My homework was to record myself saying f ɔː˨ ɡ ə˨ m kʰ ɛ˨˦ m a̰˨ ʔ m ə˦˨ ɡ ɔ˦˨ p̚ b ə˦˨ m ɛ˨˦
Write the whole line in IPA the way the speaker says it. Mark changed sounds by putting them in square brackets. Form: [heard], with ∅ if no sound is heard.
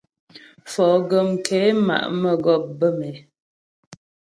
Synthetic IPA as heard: f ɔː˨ ɡ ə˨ m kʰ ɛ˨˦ m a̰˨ ʔ m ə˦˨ ɡ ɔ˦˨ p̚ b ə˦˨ m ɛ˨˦